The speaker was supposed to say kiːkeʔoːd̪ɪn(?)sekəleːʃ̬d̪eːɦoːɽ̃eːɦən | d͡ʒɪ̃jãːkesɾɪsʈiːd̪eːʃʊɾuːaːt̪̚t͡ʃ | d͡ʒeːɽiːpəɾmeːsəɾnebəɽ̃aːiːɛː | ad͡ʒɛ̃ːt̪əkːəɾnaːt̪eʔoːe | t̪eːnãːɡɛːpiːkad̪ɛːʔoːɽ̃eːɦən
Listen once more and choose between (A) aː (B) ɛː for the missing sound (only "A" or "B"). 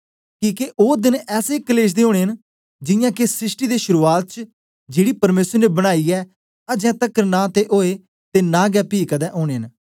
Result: B